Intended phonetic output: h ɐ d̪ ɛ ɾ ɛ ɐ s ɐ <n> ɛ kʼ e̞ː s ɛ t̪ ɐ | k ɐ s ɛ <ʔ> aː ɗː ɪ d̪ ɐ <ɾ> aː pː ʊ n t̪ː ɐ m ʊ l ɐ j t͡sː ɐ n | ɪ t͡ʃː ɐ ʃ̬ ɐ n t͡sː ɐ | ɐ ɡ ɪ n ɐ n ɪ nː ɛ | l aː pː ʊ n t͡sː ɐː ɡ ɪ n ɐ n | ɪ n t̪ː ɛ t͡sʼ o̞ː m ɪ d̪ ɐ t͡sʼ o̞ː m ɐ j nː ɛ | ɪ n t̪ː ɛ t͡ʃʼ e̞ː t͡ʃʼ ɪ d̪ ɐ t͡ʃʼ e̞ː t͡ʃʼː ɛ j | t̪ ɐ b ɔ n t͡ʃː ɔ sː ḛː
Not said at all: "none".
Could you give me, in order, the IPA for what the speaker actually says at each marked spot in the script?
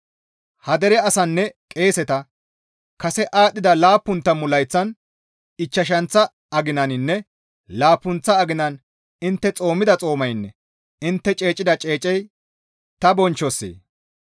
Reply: nː, ʔ, l

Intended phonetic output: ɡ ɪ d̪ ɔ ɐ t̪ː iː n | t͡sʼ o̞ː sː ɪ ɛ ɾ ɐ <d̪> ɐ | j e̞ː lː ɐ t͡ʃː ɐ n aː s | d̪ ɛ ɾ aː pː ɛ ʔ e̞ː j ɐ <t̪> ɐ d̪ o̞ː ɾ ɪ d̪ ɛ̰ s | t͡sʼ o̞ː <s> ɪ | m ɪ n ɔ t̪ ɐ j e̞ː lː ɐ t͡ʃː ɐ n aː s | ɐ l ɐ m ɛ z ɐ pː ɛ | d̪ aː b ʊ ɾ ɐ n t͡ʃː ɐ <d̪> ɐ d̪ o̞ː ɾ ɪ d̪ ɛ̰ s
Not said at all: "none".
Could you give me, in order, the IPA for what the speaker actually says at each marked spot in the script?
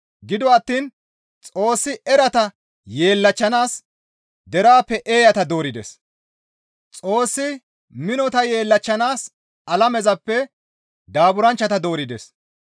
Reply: t̪, t̪, sː, t̪

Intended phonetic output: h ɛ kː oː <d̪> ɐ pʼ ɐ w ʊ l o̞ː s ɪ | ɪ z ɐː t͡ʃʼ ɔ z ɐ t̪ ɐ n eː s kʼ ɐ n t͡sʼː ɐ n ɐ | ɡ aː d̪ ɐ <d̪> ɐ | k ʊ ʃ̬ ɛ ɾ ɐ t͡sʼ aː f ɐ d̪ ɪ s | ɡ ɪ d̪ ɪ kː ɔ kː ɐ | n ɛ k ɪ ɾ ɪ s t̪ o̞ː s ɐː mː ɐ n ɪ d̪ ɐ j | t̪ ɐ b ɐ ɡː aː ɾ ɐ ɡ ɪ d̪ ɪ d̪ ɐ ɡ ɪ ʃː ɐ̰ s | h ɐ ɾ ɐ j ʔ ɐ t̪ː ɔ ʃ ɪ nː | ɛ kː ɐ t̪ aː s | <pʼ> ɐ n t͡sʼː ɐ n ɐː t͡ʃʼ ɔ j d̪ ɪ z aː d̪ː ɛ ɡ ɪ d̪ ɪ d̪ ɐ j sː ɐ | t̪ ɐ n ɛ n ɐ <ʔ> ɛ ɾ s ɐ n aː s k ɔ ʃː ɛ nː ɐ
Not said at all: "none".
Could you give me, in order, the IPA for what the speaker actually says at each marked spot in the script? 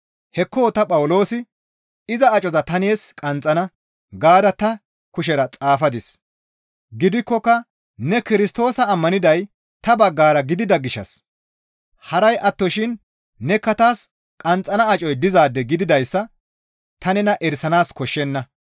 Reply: t̪, t̪, kʼ, ʔ

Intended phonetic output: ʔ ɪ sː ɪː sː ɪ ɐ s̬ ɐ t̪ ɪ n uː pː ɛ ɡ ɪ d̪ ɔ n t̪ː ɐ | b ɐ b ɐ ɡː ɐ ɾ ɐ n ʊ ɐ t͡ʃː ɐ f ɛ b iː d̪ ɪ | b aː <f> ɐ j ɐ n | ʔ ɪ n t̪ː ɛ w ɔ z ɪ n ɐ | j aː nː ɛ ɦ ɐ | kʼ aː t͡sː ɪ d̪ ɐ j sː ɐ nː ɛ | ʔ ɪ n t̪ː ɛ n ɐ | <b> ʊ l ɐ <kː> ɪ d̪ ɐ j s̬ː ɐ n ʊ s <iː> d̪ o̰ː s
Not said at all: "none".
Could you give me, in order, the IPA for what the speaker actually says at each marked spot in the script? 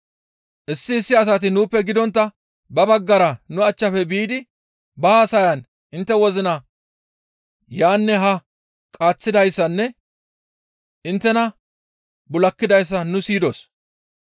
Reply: s, b, kː, iː

